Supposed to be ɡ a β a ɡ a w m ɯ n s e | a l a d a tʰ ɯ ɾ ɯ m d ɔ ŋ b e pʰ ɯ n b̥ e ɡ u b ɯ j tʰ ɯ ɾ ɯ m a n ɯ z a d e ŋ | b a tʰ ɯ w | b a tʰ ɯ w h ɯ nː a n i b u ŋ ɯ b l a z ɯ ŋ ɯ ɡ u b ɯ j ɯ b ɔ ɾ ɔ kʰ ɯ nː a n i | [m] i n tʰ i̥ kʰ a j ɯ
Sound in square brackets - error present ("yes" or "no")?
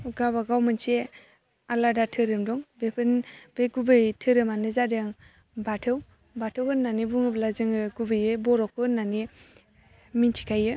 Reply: no